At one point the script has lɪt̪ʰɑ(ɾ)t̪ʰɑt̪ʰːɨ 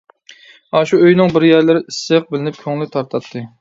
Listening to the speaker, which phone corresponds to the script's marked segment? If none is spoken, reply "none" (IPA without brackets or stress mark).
ɾ